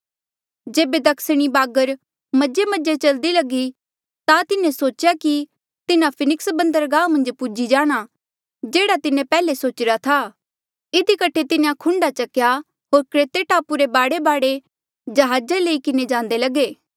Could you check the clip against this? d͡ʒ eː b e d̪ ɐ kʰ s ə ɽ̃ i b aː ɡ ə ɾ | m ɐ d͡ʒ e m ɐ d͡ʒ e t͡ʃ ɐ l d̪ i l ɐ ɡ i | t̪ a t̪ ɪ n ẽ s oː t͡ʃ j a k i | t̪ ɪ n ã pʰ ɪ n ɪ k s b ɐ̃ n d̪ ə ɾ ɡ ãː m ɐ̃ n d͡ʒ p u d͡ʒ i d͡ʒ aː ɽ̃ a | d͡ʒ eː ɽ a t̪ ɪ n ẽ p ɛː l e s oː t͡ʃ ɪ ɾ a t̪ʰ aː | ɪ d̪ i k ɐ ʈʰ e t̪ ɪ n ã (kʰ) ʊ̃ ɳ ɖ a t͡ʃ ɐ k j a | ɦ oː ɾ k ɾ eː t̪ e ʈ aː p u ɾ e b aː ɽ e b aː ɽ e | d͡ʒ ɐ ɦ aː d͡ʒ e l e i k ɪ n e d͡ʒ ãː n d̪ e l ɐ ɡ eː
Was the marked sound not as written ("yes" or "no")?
no